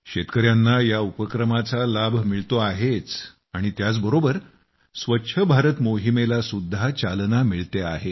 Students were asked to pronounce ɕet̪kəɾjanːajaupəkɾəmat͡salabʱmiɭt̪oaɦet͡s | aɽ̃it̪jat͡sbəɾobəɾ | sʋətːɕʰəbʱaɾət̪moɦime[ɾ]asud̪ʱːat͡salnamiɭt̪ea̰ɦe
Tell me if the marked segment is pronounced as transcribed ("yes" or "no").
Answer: no